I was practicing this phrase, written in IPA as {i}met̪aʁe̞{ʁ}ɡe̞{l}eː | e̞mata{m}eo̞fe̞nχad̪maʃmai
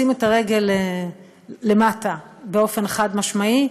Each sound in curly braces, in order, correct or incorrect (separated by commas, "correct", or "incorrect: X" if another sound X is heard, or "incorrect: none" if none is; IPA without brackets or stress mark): correct, incorrect: none, correct, incorrect: b